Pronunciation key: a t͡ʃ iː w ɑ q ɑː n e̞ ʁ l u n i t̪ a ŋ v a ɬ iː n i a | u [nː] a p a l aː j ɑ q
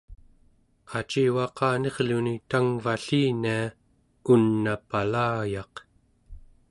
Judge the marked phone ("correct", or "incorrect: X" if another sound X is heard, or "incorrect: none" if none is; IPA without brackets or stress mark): correct